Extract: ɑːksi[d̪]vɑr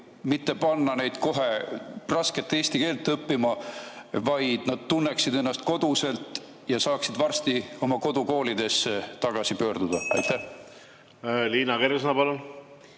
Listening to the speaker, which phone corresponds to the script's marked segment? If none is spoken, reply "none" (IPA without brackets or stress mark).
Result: d̪